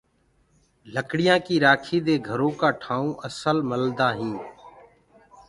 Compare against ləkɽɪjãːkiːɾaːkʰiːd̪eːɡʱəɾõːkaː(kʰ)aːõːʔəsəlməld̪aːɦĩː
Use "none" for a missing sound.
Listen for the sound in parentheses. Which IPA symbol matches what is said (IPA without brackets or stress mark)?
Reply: ʈʰ